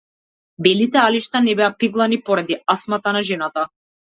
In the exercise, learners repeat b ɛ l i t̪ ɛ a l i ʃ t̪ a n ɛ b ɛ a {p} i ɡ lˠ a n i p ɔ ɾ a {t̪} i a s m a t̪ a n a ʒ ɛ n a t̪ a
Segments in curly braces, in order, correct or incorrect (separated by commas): correct, incorrect